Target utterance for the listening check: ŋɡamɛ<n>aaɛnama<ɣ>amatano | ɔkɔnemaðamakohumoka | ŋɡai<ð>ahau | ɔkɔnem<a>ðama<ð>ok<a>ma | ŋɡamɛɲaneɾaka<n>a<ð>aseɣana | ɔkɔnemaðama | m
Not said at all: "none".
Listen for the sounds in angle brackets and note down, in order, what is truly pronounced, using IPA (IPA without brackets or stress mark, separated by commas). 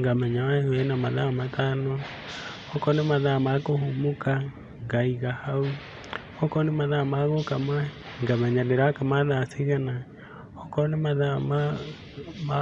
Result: ɲ, ð, ɣ, a, ɣ, a, m, ð